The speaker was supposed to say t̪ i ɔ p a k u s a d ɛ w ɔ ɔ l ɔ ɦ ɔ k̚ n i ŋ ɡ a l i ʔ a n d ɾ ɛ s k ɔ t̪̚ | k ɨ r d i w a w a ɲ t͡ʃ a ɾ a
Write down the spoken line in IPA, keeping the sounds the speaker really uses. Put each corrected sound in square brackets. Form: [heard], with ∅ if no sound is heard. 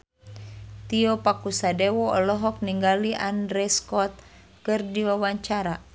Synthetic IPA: t̪ i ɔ p a k u s a d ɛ w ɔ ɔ l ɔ ɦ ɔ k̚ n i ŋ ɡ a l i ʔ a n d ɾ ɛ s k ɔ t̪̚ | k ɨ r d i w a w a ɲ t͡ʃ a ɾ a